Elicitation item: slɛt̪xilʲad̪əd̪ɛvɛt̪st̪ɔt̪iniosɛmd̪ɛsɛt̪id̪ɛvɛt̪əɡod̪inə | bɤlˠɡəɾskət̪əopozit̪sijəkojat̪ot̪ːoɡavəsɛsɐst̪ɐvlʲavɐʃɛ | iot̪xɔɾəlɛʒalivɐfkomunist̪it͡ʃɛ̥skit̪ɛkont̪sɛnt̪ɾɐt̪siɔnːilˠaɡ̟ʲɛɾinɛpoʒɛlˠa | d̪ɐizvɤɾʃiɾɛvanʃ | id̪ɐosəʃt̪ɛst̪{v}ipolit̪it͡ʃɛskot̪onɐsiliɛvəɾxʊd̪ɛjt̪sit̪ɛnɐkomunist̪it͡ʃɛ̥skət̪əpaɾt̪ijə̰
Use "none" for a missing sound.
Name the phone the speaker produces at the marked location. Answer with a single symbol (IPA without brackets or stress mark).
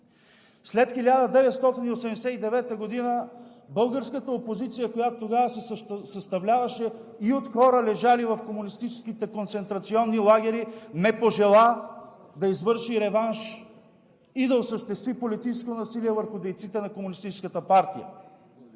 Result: v